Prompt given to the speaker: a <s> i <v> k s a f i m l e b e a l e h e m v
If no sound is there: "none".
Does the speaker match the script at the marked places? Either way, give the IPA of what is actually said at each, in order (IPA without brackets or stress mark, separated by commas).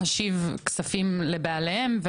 ʃ, v